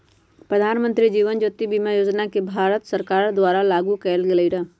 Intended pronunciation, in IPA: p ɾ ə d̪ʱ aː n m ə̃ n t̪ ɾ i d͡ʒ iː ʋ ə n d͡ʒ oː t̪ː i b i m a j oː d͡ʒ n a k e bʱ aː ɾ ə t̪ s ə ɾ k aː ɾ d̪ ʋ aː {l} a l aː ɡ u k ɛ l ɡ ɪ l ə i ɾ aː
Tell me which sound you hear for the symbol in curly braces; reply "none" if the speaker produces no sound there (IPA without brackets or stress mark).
ɾ